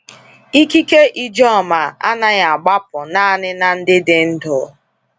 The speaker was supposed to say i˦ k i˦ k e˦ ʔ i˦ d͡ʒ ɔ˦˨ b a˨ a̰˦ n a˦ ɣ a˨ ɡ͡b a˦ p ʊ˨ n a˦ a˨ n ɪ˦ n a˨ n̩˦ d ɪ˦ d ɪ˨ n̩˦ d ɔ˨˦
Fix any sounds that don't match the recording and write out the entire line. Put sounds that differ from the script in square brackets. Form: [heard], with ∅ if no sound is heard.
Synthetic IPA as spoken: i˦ k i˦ k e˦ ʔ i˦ d͡ʒ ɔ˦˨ [m] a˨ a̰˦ n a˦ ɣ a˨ ɡ͡b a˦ p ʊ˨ n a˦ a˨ n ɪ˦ n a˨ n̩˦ d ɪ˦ d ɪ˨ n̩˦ d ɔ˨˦

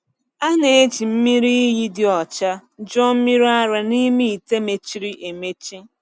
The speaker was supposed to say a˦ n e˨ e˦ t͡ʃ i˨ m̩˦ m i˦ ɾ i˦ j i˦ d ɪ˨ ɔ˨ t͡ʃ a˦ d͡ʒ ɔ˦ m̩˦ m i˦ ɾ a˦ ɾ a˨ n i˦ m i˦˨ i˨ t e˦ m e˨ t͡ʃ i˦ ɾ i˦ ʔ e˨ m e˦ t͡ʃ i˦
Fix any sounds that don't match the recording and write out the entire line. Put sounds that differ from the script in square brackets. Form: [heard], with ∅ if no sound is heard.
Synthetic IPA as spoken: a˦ n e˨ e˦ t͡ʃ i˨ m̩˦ m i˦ ɾ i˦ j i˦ d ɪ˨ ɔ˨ t͡ʃ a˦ d͡ʒ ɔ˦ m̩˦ m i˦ ɾ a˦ ɾ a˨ n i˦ m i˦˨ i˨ t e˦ m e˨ t͡ʃ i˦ ɾ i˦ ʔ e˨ m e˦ t͡ʃ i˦

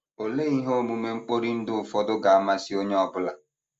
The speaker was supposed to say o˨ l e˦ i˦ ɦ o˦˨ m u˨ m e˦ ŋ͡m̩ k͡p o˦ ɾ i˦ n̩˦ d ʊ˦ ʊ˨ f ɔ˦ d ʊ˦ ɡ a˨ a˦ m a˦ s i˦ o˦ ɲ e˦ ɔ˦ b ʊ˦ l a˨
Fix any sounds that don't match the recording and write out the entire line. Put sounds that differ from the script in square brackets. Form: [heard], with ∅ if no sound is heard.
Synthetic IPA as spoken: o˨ l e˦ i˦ ɦ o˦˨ m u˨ m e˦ ŋ͡m̩ k͡p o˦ ɾ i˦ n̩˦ d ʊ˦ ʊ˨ f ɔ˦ d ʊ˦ ɡ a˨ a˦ m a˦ s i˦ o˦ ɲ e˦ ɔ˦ b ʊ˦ l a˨

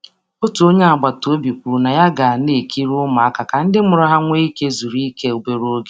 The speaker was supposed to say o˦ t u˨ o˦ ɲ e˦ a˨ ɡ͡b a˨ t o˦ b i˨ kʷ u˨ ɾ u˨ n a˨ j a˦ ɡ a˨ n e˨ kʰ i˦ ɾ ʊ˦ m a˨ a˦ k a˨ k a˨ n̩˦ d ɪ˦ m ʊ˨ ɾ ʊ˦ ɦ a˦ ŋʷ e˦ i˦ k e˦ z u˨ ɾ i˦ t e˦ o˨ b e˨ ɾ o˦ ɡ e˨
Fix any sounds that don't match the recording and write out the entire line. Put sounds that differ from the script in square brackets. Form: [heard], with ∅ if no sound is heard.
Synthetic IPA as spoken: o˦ t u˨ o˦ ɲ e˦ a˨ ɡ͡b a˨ t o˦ b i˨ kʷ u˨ ɾ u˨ n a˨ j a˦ ɡ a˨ n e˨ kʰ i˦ ɾ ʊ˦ m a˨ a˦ k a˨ k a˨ n̩˦ d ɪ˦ m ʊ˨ ɾ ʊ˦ ɦ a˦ ŋʷ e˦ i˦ k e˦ z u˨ ɾ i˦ [k] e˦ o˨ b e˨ ɾ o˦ ɡ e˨

